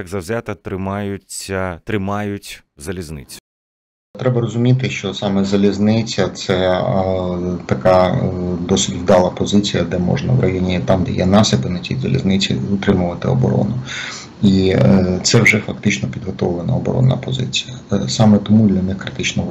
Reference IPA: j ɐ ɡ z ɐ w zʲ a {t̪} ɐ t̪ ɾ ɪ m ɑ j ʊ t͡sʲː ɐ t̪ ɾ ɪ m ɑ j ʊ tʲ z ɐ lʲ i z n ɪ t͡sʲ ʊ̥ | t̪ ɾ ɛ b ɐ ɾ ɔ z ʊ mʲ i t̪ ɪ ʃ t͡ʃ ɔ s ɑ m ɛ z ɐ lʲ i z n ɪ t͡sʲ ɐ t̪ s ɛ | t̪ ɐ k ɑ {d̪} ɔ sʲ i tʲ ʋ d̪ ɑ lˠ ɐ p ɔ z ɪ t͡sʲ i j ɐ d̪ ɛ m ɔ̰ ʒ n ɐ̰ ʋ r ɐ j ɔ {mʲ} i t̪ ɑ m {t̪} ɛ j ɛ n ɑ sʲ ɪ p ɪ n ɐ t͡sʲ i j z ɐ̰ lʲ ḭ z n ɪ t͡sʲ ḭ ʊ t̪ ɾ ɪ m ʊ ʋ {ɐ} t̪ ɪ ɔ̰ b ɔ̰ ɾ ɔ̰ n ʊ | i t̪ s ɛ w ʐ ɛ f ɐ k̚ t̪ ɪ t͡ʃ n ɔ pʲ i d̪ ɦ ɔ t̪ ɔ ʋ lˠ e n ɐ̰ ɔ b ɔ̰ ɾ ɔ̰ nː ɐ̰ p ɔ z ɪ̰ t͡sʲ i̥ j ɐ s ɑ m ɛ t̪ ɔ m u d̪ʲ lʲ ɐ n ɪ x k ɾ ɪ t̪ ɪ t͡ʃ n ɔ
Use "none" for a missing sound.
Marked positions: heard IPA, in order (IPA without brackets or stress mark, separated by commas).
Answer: t̪, d̪, nʲ, d̪, ɐ